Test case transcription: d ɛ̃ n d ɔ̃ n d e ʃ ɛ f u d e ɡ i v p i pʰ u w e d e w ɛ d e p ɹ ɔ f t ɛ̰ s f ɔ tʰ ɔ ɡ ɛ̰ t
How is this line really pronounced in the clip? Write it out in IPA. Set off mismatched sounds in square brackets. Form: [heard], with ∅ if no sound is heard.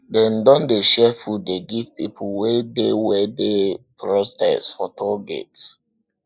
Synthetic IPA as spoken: d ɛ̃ n d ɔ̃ n d e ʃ ɛ f u d e ɡ i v p i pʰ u w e d e w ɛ d e p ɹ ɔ [s] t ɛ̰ s f ɔ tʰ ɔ ɡ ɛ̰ t